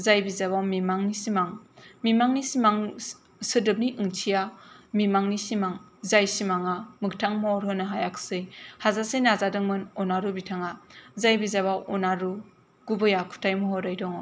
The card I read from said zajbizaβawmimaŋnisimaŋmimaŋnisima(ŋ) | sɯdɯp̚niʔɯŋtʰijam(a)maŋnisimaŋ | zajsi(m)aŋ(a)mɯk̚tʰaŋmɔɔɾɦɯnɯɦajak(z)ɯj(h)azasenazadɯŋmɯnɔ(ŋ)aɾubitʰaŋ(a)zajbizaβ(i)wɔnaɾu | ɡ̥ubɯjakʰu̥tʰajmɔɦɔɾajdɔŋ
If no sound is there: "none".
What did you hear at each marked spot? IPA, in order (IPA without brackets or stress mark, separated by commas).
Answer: ŋ, i, m, a, s, h, n, a, a